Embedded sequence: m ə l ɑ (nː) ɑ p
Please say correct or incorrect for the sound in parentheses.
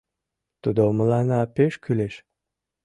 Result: incorrect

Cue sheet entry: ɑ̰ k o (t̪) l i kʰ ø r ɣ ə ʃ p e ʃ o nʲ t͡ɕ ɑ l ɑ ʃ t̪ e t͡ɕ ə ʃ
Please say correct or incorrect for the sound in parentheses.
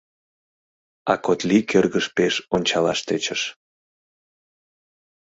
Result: correct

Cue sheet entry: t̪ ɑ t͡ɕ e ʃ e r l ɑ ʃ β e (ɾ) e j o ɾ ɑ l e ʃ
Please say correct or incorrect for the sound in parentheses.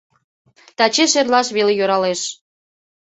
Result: incorrect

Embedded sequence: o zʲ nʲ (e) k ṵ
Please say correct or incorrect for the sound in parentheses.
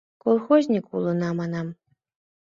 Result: incorrect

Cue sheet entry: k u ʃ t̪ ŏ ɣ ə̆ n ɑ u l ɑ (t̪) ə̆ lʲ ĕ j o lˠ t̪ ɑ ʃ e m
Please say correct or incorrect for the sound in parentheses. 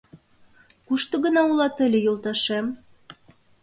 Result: correct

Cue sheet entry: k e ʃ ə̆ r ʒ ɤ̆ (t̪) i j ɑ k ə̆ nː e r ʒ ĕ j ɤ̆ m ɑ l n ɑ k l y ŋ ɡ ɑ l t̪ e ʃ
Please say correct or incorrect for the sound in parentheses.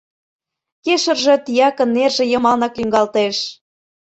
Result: correct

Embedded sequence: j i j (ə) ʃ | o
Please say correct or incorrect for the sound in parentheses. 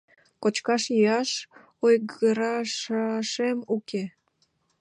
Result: incorrect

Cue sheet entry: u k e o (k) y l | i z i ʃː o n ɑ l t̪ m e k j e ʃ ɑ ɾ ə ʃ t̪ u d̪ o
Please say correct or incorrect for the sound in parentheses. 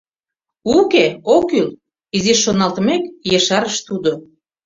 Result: correct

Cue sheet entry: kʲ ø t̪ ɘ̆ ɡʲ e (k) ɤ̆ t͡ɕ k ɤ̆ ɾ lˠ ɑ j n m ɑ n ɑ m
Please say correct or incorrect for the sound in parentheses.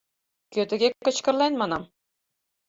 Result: correct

